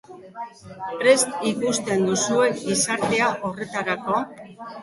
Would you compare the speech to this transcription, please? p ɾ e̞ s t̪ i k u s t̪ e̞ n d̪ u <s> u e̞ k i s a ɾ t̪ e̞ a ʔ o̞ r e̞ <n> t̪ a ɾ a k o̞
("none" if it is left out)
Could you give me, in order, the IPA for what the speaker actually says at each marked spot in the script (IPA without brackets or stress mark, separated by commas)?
s, none